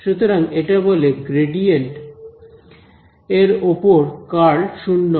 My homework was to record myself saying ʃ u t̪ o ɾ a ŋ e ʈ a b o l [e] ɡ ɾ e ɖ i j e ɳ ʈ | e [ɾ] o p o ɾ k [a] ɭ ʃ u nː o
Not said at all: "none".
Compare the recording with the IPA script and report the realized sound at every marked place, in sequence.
e, ɾ, a

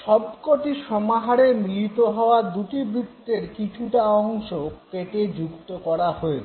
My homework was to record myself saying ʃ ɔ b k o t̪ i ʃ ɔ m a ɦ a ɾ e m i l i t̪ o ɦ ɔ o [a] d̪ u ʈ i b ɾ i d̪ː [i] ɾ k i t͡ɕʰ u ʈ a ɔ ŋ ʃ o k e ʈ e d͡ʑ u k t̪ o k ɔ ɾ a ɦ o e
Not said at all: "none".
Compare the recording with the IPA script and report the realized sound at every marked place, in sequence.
a, e

